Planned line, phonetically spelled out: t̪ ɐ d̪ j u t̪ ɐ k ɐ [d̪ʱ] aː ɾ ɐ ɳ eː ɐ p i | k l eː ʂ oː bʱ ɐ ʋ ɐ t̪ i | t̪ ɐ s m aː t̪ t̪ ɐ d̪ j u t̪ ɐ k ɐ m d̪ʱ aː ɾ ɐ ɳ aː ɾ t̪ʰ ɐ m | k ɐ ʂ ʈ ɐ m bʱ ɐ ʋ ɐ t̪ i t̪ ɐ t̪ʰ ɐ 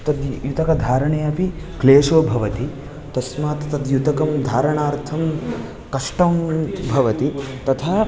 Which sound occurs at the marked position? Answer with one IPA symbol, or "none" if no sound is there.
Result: d̪ʱ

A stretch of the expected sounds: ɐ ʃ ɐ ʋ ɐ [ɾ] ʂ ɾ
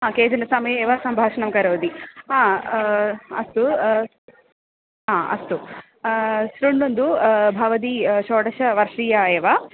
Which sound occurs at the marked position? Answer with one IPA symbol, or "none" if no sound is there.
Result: ɾ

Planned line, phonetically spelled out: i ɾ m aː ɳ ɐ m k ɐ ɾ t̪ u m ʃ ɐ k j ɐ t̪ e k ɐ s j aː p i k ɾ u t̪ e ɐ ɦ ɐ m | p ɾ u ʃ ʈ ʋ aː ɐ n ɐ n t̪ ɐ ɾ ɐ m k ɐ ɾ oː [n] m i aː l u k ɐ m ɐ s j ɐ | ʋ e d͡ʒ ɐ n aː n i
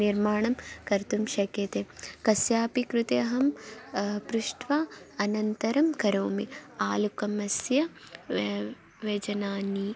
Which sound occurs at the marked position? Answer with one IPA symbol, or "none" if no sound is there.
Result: none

